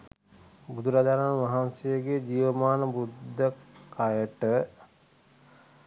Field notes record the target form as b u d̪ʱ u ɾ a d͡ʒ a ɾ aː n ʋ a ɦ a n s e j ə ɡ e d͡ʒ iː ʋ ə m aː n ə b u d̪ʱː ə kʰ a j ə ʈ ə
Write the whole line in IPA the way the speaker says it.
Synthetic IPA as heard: b u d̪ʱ u ɾ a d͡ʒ a ɾ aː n ʋ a ɦ a n s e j ə ɡ e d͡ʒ iː ʋ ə m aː n ə b u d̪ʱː ə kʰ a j ə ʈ ə